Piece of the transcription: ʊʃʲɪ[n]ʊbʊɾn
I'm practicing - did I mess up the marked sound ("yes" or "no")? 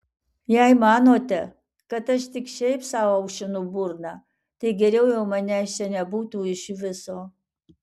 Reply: no